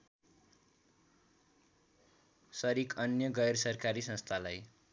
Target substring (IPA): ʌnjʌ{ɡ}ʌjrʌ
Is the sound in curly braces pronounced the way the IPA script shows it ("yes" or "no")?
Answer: yes